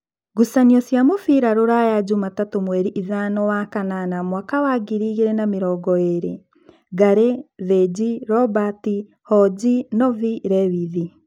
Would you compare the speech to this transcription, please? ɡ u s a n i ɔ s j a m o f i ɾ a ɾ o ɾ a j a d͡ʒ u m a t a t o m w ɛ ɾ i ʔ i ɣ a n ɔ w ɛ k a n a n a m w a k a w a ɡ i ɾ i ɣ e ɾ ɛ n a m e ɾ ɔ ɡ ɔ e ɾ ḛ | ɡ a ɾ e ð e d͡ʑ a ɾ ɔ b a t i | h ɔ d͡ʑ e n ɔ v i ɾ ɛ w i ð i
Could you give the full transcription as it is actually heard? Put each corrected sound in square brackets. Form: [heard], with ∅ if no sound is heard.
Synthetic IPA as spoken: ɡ u s a n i ɔ s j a m o f i ɾ a ɾ o ɾ a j a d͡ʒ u m a t a t o m w ɛ ɾ i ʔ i [ð] a n ɔ w [a] k a n a n a m w a k a w a ɡ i ɾ i ɣ e ɾ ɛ n a m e ɾ ɔ ɡ ɔ e ɾ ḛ | ɡ a ɾ e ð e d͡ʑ [i] ɾ ɔ b a t i | h ɔ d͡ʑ [i] n ɔ v i ɾ ɛ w i ð i